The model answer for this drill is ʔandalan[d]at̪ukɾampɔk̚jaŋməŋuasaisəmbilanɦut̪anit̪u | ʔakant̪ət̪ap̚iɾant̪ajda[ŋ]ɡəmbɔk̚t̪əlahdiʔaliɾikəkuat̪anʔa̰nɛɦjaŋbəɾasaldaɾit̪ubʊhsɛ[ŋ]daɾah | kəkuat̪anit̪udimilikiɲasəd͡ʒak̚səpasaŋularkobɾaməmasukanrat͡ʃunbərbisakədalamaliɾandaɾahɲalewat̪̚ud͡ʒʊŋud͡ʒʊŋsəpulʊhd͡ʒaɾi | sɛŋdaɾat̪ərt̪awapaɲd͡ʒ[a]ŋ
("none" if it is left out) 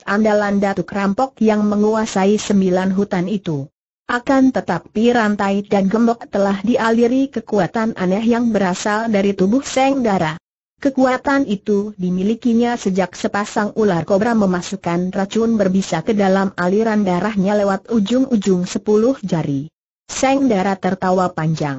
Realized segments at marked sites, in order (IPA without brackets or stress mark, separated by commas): d, n, ŋ, a